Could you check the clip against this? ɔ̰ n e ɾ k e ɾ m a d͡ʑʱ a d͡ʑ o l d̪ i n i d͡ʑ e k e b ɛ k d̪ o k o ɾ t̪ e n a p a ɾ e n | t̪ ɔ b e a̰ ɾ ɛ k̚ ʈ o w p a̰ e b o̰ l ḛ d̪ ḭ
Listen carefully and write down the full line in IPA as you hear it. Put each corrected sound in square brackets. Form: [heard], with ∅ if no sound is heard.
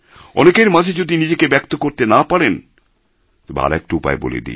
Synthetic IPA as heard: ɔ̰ n e [∅] k e ɾ m a d͡ʑʱ [e] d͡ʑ o [∅] d̪ i n i d͡ʑ e k e b ɛ k [t̪] o k o ɾ t̪ e n a p a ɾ e n | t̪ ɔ b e a̰ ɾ ɛ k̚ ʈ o [u] p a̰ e b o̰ l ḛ d̪ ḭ

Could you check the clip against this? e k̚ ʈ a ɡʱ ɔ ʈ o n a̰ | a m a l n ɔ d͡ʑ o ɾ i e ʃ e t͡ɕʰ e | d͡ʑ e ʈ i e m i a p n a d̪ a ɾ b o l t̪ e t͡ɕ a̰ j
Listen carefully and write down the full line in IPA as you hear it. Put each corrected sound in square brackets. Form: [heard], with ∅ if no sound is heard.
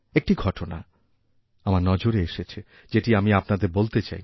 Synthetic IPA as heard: e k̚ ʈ [i] ɡʱ ɔ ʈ o n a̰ | a m a [ɾ] n ɔ d͡ʑ o ɾ [e] e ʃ e t͡ɕʰ e | d͡ʑ e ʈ i [a] m i a p n a d̪ [e] ɾ b o l t̪ e t͡ɕ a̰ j

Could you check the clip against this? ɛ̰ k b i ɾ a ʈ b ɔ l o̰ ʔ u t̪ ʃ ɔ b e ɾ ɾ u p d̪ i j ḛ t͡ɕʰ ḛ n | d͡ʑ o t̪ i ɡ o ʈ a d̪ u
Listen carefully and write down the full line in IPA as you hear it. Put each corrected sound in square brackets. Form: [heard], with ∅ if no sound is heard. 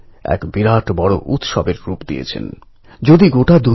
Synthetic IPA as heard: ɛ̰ k b i ɾ a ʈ b ɔ [ɽ] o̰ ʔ u t̪ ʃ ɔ b e ɾ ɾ u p d̪ i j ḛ t͡ɕʰ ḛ n | d͡ʑ o [d̪] i ɡ o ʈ a d̪ u

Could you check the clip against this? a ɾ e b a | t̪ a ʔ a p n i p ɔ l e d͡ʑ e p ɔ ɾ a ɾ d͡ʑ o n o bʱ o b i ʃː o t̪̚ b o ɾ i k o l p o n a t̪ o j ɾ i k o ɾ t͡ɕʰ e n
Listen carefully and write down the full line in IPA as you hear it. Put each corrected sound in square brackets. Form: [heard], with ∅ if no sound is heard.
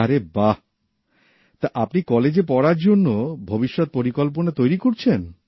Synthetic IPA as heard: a ɾ e b a | t̪ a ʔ a p n i [k] ɔ l e d͡ʑ e p ɔ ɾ a ɾ d͡ʑ o [nː] o bʱ o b i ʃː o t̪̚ [p] o ɾ i k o l p o n a t̪ o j ɾ i k o ɾ t͡ɕʰ e n

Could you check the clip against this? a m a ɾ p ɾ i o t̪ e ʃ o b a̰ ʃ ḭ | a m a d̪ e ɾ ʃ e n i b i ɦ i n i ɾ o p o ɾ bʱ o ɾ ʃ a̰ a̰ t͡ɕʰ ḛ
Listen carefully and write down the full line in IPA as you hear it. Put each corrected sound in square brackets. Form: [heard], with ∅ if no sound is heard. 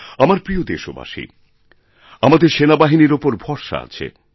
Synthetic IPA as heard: a m a ɾ p ɾ i o [d̪] e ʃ o b a̰ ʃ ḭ | a m a d̪ e ɾ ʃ e n [a] b [a] ɦ i n i ɾ o p o ɾ bʱ [ɔ] ɾ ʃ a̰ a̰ t͡ɕʰ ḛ

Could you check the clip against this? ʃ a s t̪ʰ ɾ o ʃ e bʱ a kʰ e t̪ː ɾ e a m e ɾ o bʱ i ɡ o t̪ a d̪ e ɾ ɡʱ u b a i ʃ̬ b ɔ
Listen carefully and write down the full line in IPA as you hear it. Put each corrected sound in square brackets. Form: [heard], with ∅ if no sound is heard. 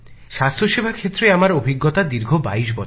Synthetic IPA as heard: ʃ a s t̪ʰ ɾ o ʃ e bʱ a kʰ e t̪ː ɾ e a m [a] ɾ o bʱ i [ɡː] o t̪ a d̪ [i] ɾ ɡʱ [o] b a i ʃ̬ b ɔ

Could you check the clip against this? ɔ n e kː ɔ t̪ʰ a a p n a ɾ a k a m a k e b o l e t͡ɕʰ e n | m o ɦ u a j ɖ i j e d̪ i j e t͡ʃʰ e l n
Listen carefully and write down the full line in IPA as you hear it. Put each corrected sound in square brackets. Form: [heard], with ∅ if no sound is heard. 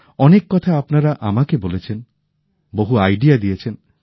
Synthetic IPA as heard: ɔ n e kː ɔ t̪ʰ a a p n a ɾ a [ʔ] a m a k e b o l e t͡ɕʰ e n | [b] o ɦ u a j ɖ i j [a] d̪ i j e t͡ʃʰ e [∅] n

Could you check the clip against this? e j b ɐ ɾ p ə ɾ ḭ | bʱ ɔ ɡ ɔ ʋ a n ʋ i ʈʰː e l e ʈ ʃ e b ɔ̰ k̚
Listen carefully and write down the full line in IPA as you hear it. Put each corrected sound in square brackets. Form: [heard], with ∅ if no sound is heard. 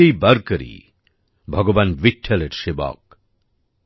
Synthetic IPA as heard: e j b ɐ ɾ [k] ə ɾ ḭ | bʱ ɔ ɡ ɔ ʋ a n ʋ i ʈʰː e l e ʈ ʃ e b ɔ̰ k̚

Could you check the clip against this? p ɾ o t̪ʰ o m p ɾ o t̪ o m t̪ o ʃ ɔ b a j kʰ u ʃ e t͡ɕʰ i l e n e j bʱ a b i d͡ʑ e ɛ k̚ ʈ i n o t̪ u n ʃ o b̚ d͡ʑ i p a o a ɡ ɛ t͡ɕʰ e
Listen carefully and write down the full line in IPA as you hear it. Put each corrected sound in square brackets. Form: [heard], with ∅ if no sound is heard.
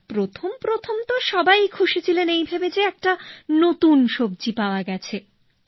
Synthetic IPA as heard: p ɾ o t̪ʰ o m p ɾ o [t̪ʰ] o m t̪ o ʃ ɔ b a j kʰ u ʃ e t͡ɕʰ i l e n e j bʱ a b [e] d͡ʑ e ɛ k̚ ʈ [a] n o t̪ u n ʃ o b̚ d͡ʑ i p a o a ɡ ɛ t͡ɕʰ e

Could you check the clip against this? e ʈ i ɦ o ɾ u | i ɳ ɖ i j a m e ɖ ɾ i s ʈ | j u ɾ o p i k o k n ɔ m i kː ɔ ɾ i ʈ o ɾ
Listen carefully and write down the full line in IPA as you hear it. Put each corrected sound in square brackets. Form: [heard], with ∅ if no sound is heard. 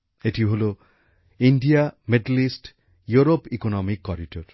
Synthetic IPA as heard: e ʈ i ɦ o [l] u | i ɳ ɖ i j a m e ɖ [l] i s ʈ | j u ɾ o p i k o [∅] n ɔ m i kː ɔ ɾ i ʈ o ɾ

